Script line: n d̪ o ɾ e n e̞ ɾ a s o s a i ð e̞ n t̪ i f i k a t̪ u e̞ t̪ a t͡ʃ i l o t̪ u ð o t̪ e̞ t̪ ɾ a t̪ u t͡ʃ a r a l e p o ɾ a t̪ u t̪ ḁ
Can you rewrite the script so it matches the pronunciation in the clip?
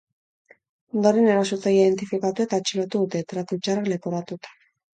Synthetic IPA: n d̪ o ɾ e n e̞ ɾ a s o t͡s a i ð e̞ n t̪ i f i k a t̪ u e̞ t̪ a t͡ʃ i l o t̪ u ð u t̪ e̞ t̪ ɾ a t̪ u t͡ʃ a r a l e p o ɾ a t̪ u t̪ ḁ